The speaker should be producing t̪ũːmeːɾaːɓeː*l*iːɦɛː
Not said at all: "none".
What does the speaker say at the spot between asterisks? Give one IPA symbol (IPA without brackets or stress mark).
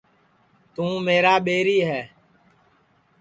ɾ